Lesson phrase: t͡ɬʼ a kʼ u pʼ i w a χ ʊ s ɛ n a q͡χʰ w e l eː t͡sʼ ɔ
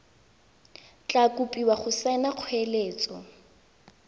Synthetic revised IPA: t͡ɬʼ a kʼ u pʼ i w a χ ʊ s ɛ n a q͡χʰ w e l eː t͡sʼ ɔ